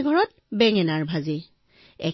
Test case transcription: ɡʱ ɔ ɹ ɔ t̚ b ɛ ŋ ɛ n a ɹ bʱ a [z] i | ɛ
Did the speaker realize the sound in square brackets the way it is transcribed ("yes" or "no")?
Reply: yes